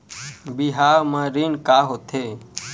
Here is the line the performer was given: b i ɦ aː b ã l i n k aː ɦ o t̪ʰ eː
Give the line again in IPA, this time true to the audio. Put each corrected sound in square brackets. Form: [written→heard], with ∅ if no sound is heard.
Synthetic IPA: b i ɦ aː [b→m] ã [l→ɾ] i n k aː ɦ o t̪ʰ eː